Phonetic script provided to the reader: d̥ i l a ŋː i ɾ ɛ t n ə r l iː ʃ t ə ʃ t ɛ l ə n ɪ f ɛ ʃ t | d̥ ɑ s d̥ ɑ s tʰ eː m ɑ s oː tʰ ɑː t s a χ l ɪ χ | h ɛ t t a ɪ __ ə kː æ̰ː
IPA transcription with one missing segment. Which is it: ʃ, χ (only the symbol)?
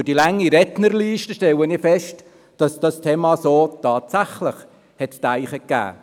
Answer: χ